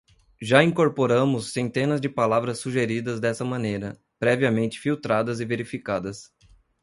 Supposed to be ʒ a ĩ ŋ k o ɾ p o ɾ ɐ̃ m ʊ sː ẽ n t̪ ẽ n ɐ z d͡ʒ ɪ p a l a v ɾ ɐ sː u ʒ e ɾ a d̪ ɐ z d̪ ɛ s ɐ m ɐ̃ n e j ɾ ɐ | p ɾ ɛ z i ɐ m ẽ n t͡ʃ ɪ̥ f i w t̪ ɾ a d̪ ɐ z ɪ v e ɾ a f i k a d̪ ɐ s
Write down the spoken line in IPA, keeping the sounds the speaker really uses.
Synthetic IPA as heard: ʒ a ĩ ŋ k o ɾ p o ɾ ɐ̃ m ʊ sː ẽ n t̪ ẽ n ɐ z d͡ʒ ɪ p a l a v ɾ ɐ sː u ʒ e ɾ i d̪ ɐ z d̪ ɛ s ɐ m ɐ̃ n e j ɾ ɐ | p ɾ ɛ v i ɐ m ẽ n t͡ʃ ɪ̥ f i w t̪ ɾ a d̪ ɐ z ɪ v e ɾ i f i k a d̪ ɐ s